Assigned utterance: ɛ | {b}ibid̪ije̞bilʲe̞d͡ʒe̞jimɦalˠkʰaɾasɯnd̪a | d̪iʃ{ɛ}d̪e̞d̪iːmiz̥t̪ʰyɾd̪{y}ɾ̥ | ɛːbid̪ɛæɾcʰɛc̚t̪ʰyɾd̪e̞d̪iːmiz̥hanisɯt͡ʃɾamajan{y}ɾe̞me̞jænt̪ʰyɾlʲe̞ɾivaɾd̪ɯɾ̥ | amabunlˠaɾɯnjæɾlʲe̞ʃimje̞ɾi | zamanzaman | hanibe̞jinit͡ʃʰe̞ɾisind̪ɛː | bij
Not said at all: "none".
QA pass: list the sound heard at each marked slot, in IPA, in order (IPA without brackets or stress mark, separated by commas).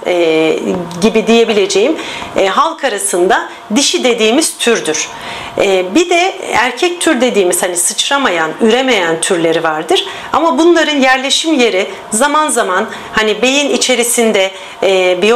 ɟ, i, y, y